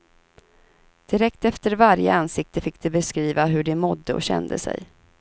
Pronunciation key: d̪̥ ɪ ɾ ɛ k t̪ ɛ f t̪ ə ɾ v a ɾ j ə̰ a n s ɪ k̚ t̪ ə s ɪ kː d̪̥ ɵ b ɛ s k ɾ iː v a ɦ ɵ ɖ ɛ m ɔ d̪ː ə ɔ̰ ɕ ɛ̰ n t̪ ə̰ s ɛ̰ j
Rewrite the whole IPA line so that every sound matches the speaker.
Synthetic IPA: d̪̥ ɪ ɾ ɛ k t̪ ɛ f t̪ ə ɾ v a ɾ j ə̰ a n s ɪ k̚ t̪ ə f ɪ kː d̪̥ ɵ b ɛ s k ɾ iː v a ɦ ɵ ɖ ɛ m ɔ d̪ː ə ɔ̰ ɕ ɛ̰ n d̪ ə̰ s ɛ̰ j